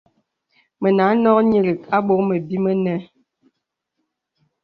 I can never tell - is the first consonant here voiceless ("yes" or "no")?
no